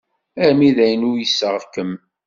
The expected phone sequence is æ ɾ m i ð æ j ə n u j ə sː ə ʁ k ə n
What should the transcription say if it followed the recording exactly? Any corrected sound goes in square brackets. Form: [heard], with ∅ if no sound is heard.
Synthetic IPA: æ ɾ m i ð æ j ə n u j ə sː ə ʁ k ə [m]